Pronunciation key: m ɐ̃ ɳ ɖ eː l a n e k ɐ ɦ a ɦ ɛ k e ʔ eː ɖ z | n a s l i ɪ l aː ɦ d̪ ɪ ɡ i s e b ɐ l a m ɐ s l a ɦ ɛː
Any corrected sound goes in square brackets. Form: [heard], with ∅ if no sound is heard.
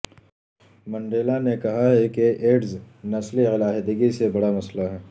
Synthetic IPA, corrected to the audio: m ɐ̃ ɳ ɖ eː l a n e k ɐ ɦ a ɦ ɛ k e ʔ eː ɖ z | n [ɐ] s l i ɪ l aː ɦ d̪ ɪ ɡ i s e b ɐ [ɽ] a m ɐ s l a ɦ ɛː

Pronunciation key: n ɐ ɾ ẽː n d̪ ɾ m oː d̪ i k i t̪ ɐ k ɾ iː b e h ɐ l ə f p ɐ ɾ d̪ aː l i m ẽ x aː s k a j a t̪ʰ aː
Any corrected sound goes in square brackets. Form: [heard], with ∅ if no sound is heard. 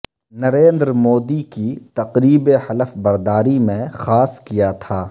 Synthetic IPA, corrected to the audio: n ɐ ɾ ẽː n d̪ ɾ m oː d̪ i k i t̪ ɐ [q] ɾ iː b e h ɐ l ə f [b] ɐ ɾ d̪ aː [ɾ] i m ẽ x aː s k [i] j a t̪ʰ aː

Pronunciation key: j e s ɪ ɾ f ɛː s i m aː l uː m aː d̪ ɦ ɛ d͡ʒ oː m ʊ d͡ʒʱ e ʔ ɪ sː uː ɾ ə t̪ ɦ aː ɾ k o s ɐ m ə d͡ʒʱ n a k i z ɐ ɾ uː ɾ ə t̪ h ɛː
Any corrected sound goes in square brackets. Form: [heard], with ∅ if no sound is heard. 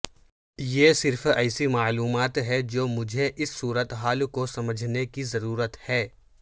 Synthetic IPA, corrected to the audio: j e s ɪ ɾ f ɛː s i m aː l uː m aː [t̪] ɦ ɛ d͡ʒ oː m ʊ d͡ʒʱ e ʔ ɪ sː uː ɾ ə t̪ ɦ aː [l] k o s ɐ m ə d͡ʒʱ n [e] k i z ɐ ɾ uː ɾ ə t̪ h ɛː

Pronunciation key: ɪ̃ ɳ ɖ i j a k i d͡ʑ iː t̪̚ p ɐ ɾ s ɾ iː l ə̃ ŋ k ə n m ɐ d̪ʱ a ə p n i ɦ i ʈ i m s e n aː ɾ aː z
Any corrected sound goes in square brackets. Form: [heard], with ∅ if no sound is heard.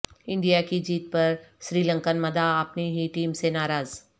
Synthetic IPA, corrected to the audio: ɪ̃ ɳ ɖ i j a k i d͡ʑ iː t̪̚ p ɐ ɾ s ɾ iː l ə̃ ŋ k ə n m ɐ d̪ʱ a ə p n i ɦ i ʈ [iː] m s e n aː ɾ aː z

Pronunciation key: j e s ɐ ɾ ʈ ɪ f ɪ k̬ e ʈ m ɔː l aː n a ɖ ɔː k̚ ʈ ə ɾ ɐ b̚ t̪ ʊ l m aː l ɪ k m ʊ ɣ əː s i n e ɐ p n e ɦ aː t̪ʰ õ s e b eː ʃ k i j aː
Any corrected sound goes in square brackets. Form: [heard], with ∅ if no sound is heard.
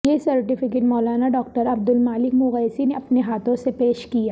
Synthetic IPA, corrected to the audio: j e s ɐ ɾ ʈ ɪ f ɪ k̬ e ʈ m ɔː l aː n a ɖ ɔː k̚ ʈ ə ɾ ɐ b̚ [d̪] ʊ l m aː l ɪ k m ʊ ɣ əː s i n e ɐ p n e ɦ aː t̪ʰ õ s e [p] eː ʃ k i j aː

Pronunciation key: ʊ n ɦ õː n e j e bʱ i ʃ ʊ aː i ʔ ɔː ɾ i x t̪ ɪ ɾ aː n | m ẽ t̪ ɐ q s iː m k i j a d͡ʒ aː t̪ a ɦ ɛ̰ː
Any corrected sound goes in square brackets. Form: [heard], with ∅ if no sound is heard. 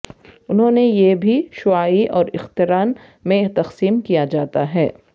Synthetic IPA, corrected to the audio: ʊ n ɦ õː n e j e bʱ i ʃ ʊ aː i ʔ ɔː ɾ [ɪ] x t̪ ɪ ɾ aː n | m ẽ t̪ ɐ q s iː m k i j a d͡ʒ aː t̪ a ɦ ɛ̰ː

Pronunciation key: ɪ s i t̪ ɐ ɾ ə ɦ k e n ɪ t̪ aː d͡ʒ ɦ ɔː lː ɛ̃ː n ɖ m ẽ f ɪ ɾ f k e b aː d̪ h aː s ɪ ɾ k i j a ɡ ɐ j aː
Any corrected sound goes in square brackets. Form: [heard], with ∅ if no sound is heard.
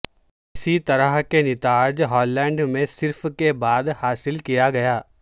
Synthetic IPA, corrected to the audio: ɪ s i t̪ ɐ ɾ ə ɦ k e n ɪ t̪ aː d͡ʒ ɦ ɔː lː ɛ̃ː [ɳ] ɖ m ẽ [s] ɪ ɾ f k e b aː d̪ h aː s ɪ [l] k i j a ɡ ɐ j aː

